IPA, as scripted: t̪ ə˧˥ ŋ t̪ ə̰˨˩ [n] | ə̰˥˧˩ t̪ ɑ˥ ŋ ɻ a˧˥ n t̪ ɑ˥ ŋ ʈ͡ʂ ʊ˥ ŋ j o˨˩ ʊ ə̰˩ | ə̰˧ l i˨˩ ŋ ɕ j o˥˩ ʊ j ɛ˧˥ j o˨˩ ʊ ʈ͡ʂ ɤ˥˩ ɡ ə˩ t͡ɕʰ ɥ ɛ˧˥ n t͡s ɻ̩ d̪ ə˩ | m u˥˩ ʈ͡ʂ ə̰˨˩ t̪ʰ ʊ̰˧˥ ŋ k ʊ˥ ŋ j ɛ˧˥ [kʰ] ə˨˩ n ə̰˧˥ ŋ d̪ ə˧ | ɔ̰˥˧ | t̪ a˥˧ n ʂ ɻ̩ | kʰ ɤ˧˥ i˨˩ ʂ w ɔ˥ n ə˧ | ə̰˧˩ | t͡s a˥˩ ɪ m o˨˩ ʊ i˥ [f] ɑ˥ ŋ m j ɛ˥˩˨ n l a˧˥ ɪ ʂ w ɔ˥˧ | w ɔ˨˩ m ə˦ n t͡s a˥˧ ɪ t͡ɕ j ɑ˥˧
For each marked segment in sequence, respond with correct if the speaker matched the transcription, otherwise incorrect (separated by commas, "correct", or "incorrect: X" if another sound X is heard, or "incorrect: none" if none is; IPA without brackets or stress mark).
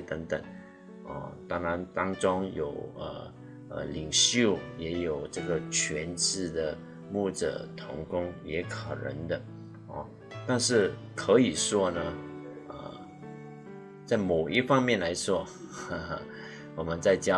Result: incorrect: ŋ, correct, correct